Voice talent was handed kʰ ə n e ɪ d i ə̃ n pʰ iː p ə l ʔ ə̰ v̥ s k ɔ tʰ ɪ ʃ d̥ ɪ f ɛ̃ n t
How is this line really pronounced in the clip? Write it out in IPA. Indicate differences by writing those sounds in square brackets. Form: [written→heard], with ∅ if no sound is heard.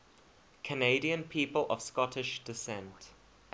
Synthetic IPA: kʰ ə n e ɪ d i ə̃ n pʰ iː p ə l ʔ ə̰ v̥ s k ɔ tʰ ɪ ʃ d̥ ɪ [f→s] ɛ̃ n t